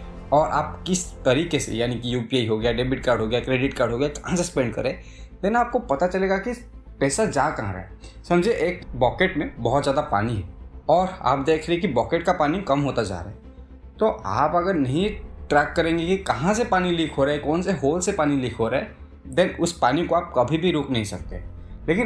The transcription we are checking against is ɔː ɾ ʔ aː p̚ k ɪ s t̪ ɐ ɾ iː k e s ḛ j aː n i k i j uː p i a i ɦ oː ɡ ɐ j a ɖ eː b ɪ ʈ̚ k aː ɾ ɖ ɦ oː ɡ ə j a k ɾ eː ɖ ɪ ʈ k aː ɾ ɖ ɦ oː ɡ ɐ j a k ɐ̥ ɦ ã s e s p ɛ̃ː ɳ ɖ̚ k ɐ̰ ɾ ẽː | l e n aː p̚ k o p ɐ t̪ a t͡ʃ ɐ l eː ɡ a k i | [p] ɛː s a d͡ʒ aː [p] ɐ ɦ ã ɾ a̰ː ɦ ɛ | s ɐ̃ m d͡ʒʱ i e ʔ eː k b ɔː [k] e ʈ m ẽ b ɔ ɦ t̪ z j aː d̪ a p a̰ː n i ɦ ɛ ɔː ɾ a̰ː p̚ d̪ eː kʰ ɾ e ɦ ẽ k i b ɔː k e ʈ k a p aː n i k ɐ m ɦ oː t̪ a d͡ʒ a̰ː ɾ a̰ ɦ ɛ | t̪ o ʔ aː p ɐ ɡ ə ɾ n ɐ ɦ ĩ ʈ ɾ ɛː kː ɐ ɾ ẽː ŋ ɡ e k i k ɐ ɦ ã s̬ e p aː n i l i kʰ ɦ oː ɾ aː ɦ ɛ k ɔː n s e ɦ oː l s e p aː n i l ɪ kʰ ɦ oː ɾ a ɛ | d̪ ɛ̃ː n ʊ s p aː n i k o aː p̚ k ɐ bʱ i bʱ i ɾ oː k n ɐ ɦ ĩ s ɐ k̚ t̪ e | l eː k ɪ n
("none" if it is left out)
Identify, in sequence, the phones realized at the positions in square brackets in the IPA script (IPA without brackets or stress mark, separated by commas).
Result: p, k, k